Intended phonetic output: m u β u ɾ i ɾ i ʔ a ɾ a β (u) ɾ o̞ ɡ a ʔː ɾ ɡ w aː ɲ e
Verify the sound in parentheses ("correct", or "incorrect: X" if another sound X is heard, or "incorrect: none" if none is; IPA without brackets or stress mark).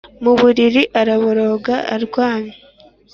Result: incorrect: o